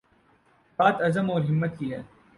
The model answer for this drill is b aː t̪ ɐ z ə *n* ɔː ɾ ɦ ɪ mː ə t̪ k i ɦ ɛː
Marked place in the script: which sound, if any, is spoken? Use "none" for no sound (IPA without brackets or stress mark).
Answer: m